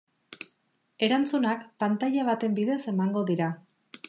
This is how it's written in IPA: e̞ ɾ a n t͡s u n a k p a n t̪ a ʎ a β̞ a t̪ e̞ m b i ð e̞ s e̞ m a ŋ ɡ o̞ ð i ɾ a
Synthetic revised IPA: e̞ ɾ a n t͡s u n a k p a n t̪ a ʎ a β̞ a t̪ e̞ m b i ð e̞ s e̞ m a ŋ ɡ o̞ ð i ɾ a